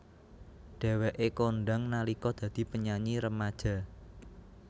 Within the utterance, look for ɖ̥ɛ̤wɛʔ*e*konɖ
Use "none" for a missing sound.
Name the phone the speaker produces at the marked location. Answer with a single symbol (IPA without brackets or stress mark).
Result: e